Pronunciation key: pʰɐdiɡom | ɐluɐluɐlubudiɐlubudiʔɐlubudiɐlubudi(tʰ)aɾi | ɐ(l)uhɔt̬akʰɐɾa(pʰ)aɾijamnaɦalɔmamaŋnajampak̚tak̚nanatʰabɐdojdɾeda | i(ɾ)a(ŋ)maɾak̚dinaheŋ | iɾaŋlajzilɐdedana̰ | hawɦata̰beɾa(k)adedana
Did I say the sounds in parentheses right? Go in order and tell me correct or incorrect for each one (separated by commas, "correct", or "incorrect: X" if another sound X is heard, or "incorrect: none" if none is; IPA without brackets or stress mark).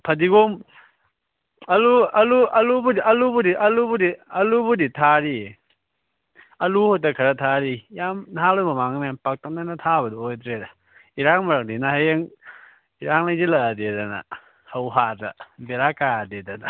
correct, correct, incorrect: tʰ, correct, correct, correct